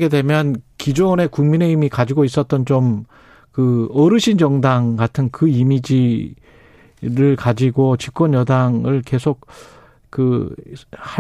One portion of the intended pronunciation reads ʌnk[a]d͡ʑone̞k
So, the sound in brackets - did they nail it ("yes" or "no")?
no